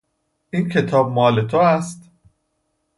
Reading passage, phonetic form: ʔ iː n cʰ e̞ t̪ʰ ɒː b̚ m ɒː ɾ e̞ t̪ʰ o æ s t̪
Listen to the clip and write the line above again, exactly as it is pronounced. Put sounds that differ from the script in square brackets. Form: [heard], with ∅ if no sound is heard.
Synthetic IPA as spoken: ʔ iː n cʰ e̞ t̪ʰ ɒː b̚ m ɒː [l] e̞ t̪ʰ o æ s t̪